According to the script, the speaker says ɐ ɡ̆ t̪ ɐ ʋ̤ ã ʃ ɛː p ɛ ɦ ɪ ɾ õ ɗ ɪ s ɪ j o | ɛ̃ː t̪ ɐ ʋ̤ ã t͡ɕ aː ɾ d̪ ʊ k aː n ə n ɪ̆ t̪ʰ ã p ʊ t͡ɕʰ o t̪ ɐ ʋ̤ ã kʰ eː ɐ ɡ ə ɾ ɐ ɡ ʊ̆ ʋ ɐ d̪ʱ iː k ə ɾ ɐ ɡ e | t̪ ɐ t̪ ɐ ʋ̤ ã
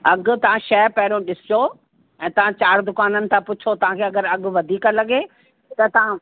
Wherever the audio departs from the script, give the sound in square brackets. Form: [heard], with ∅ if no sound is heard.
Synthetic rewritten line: ɐ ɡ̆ t̪ ɐ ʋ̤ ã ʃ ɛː p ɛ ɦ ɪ ɾ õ ɗ ɪ s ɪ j o | ɛ̃ː t̪ ɐ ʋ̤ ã t͡ɕ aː ɾ d̪ ʊ k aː n ə n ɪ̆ t̪ʰ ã p ʊ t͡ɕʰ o t̪ ɐ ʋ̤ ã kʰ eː ɐ ɡ ə ɾ ɐ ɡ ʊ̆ ʋ ɐ d̪ʱ iː k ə [l] ɐ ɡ e | t̪ ɐ t̪ ɐ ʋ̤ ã